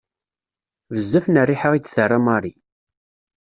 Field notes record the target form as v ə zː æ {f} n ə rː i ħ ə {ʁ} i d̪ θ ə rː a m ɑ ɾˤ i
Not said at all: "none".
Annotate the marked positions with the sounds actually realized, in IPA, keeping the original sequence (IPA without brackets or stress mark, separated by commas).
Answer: f, ʁ